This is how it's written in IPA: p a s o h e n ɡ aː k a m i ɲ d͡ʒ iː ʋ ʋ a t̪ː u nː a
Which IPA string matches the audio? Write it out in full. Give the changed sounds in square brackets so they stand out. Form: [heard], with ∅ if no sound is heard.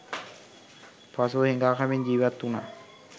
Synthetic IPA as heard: p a s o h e [ŋ] ɡ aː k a m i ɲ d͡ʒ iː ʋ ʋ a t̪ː u [n] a